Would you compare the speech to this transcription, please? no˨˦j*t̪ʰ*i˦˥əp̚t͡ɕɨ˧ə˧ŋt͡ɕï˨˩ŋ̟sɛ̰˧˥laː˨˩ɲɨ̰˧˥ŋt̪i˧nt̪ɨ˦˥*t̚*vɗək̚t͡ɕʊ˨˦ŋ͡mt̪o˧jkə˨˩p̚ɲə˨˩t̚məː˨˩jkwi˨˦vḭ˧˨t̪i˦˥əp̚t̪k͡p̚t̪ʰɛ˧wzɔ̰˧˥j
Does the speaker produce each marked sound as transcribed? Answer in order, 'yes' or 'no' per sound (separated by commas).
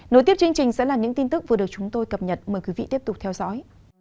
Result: no, no